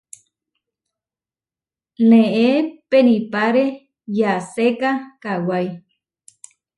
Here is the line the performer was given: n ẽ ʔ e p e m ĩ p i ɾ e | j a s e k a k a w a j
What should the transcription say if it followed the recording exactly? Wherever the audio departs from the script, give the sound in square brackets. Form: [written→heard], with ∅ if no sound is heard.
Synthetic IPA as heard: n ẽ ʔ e p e [m→n] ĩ p [i→a] ɾ e | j a s e k a k a w a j